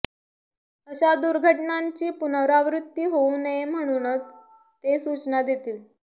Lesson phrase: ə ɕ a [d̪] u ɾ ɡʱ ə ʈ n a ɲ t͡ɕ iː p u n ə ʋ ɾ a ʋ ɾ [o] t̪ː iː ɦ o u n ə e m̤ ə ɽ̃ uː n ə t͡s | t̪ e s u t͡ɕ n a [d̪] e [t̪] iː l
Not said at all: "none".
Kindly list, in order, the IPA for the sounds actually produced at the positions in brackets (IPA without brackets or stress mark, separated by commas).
d̪, u, d̪, t̪